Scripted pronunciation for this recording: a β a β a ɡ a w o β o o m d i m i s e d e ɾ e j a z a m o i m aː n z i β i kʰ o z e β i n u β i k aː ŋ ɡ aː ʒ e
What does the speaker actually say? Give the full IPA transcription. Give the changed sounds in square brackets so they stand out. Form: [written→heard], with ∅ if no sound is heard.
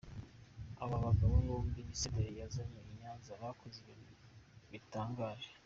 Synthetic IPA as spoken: a β a β a ɡ a [w→β] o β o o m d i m i s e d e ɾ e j a z a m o i [m→ɲ] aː n z [i→a] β [i→a] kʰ o z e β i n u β i [k→t] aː ŋ ɡ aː ʒ e